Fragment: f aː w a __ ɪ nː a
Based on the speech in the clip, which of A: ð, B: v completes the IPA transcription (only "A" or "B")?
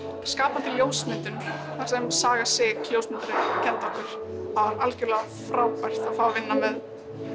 B